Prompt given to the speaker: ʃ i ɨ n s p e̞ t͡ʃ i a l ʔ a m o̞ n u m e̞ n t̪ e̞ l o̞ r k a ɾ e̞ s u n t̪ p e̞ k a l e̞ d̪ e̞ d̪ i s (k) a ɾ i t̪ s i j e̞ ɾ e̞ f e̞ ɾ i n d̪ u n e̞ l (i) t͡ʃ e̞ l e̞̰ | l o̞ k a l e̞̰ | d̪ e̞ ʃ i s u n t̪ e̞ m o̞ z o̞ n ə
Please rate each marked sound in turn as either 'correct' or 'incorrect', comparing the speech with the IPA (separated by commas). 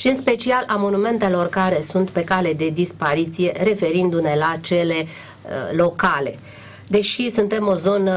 incorrect, incorrect